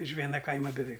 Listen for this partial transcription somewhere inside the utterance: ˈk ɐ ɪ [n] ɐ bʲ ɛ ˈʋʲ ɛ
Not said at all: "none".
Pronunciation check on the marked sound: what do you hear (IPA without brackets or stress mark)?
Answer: m